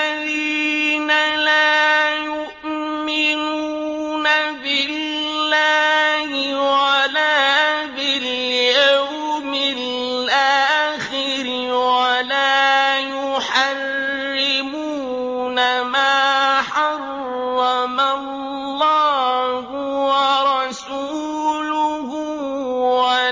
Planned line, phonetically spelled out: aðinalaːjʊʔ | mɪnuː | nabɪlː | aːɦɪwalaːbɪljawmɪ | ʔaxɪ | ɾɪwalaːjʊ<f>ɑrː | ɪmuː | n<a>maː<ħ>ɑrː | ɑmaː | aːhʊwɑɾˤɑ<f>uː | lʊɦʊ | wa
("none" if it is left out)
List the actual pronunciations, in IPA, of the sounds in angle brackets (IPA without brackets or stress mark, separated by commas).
ħ, a, ħ, s